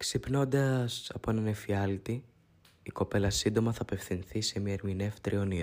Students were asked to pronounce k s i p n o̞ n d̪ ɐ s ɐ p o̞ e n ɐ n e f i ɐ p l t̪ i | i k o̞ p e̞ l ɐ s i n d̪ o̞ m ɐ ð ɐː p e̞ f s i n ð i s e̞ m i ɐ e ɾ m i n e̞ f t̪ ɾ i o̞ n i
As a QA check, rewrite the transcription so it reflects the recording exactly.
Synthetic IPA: k s i p n o̞ n d̪ ɐ s ɐ p o̞ e n ɐ n e f i ɐ l t̪ i | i k o̞ p e̞ l ɐ s i n d̪ o̞ m ɐ θ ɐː p e̞ f θ i n θ i s e̞ m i ɐ e ɾ m i n e̞ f t̪ ɾ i o̞ n i